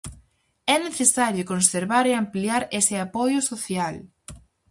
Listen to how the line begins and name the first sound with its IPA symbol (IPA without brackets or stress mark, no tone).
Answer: ɛ